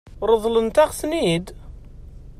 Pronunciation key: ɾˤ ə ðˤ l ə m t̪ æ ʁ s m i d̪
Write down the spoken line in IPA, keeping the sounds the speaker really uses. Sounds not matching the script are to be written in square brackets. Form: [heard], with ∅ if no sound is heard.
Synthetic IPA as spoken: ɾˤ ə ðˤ l ə [n] t̪ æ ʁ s [n] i d̪